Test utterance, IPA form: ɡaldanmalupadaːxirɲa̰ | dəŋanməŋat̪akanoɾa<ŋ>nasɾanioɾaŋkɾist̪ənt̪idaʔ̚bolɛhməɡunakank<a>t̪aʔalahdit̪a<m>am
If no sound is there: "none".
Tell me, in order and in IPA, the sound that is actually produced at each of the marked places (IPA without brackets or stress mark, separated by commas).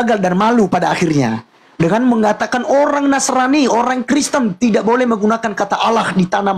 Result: ŋ, a, n